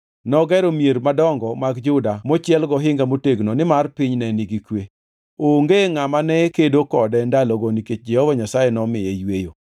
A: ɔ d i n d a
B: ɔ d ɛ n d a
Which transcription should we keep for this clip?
B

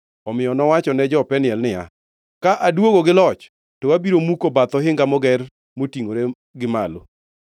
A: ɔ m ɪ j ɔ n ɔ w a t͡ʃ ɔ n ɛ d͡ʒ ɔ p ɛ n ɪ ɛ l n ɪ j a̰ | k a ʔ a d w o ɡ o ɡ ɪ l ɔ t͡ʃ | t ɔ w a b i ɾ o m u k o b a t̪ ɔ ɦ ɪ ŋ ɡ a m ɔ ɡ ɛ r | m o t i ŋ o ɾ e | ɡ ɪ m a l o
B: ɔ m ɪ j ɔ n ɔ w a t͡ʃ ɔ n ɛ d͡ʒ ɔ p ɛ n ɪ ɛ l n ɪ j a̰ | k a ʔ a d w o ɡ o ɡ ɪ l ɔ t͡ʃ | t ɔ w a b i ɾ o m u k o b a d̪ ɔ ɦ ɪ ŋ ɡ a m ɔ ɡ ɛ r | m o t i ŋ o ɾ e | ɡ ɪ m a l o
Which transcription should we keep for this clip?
A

